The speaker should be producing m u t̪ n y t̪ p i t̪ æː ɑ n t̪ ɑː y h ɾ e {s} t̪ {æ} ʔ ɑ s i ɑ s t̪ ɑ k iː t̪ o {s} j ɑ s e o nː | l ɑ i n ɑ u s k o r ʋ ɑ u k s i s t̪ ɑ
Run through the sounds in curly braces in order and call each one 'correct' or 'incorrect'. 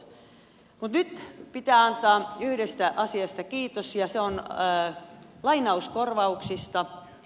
correct, correct, correct

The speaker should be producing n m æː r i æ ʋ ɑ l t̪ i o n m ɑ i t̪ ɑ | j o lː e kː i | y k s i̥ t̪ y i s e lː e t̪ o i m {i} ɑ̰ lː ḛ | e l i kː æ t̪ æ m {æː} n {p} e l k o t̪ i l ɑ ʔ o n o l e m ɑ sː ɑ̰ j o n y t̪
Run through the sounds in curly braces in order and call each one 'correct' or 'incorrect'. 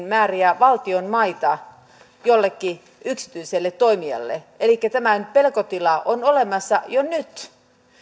correct, incorrect, correct

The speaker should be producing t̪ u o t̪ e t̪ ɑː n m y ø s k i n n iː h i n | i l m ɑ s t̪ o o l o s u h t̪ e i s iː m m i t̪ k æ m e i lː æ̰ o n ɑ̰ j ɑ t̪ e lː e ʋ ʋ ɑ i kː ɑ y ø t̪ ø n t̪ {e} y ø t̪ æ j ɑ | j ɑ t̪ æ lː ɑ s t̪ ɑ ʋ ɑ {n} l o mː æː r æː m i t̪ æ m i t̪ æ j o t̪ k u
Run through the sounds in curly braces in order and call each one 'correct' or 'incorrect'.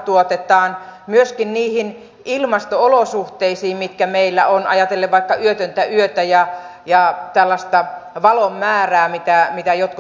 incorrect, incorrect

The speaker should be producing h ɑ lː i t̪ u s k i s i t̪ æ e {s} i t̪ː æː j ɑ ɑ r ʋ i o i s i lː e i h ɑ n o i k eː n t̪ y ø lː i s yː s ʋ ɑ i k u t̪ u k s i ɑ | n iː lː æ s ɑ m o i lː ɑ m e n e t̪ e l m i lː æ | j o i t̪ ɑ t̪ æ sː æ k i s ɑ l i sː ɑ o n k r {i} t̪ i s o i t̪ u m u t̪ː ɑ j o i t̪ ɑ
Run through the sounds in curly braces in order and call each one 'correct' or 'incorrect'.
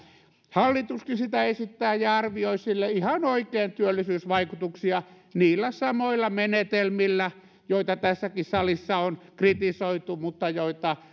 correct, correct

